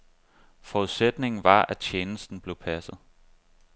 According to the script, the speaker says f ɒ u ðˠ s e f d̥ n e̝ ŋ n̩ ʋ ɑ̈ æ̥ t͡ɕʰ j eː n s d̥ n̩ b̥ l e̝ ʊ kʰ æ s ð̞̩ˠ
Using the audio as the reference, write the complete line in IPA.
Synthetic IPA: f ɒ u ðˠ s e d̥ n e̝ ŋ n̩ ʋ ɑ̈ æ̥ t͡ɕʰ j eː n s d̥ n̩ b̥ l e̝ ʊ pʰ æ s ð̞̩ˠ